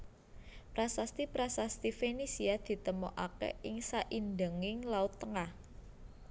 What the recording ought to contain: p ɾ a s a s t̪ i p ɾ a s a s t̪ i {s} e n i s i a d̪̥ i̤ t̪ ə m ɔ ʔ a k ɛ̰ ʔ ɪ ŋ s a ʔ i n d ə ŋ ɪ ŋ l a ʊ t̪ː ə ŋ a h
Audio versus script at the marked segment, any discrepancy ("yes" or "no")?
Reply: yes